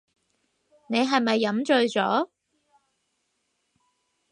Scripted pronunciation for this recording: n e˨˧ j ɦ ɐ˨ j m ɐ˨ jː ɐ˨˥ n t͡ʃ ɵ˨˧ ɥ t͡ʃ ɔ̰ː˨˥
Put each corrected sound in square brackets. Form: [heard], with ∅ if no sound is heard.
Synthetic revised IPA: n e˨˧ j ɦ ɐ˨ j m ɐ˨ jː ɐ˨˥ [m] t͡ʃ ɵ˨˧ ɥ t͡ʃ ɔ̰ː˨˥